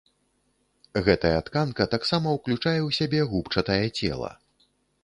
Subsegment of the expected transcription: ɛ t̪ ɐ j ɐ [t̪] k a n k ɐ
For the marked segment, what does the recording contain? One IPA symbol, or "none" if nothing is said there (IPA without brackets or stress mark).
t̪